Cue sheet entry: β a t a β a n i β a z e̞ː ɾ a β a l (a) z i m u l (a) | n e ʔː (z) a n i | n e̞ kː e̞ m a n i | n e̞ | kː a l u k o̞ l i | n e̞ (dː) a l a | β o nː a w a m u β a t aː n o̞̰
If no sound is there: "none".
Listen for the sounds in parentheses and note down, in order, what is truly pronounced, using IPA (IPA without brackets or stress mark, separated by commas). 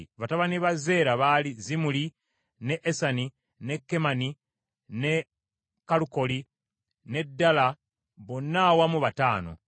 i, i, s, dː